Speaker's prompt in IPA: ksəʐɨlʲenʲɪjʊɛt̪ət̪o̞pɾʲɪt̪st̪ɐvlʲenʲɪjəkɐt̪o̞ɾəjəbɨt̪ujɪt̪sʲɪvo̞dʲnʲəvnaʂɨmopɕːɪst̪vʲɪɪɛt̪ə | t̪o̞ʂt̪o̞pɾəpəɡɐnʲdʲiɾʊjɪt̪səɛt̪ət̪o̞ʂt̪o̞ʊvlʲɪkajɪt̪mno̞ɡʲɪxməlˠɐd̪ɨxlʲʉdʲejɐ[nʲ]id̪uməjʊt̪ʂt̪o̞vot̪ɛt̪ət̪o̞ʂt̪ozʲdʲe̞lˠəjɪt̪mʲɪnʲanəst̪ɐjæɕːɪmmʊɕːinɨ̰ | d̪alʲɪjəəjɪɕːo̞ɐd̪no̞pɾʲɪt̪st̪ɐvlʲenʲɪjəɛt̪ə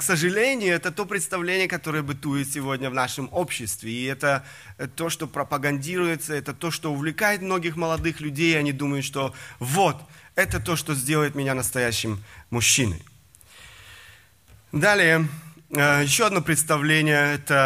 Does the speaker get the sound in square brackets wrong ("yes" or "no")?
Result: no